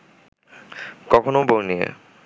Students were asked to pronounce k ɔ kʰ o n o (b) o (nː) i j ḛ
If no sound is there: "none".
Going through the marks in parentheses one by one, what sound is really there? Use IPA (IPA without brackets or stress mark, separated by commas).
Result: b, n